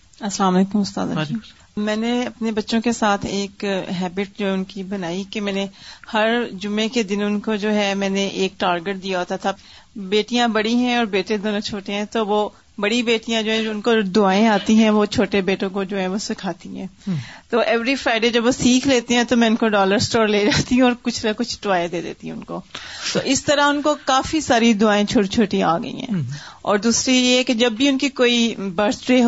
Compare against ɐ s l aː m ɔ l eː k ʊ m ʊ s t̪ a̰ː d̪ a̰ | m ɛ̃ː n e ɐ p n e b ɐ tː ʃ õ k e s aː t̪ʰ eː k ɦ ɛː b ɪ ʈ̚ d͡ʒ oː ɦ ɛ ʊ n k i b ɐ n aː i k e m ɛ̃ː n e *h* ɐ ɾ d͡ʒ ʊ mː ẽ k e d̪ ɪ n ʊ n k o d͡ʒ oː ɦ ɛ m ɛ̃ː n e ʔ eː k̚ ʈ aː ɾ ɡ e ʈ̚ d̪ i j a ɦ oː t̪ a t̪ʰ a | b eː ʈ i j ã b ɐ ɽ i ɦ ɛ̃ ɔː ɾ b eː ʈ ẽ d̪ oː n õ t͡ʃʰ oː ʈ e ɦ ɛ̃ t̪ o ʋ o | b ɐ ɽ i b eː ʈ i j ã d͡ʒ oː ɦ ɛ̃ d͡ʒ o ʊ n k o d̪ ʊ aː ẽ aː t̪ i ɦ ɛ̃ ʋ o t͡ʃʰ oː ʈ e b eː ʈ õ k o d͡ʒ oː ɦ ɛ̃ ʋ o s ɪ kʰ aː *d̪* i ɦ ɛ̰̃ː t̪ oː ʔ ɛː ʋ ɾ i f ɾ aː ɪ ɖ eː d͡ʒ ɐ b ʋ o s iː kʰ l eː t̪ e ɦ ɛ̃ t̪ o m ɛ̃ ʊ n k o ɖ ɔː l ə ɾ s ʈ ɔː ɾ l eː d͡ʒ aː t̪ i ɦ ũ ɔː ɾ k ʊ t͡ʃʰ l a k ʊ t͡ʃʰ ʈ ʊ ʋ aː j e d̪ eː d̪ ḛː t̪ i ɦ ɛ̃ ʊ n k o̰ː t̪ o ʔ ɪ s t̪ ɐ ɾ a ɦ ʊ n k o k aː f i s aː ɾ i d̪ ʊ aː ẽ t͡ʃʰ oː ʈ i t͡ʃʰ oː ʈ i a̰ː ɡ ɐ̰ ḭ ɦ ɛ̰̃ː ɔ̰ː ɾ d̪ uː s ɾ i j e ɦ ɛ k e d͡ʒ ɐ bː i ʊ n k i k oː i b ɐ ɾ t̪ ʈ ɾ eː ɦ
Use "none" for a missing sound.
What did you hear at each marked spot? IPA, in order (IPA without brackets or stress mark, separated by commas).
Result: h, t̪